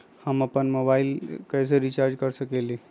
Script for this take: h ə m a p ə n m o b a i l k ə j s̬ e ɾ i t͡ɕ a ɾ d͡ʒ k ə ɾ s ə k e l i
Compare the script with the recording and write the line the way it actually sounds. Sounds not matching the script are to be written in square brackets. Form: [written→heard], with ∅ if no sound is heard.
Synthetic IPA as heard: h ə m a p ə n m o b a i l k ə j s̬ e ɾ i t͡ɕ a ɾ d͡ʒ k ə ɾ s ə k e l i